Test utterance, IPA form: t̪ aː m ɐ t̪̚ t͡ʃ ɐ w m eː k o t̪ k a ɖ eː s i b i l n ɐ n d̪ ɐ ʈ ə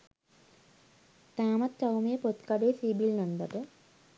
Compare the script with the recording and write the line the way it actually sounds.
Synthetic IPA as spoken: t̪ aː m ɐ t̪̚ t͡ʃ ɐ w m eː p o t̪ k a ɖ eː s i b i l n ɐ n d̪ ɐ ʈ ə